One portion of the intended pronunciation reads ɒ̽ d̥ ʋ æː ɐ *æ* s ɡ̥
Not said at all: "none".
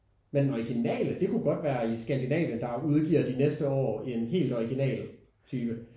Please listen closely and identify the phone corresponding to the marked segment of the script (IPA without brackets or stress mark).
i